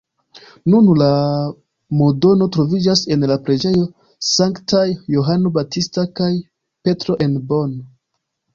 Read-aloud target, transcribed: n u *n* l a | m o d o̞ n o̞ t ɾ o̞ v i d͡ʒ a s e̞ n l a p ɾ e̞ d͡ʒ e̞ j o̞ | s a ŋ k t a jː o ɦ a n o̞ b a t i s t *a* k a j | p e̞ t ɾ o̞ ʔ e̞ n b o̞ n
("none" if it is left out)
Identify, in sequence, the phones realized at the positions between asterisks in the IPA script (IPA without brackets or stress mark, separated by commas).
n, a